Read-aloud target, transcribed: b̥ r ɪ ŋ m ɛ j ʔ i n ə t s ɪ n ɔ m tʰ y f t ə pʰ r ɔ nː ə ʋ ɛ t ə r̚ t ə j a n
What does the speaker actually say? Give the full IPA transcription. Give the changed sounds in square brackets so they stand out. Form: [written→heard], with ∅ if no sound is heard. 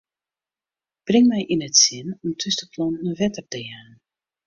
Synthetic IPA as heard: b̥ r ɪ ŋ m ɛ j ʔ i n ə t s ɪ n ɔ m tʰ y [f→s] t ə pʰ [r→l] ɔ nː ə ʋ ɛ t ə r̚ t ə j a n